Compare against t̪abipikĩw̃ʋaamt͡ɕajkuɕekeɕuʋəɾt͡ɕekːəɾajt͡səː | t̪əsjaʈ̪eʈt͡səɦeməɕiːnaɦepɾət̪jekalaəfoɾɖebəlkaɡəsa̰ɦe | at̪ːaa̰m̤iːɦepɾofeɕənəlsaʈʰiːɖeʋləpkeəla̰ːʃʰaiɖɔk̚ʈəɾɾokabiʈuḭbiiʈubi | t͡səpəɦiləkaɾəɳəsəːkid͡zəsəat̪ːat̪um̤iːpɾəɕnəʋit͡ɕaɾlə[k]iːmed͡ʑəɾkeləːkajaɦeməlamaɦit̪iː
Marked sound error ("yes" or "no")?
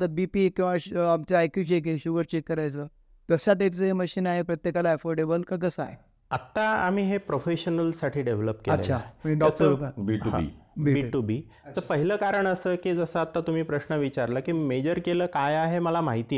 no